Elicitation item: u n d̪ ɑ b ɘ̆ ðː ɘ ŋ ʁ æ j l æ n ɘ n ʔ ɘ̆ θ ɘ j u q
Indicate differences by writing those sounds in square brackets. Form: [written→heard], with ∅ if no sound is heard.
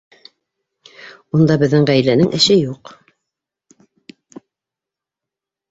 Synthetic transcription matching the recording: u n d̪ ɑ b ɘ̆ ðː ɘ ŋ ʁ æ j l æ n ɘ [n→ŋ] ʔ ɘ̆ [θ→ʃ] ɘ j u q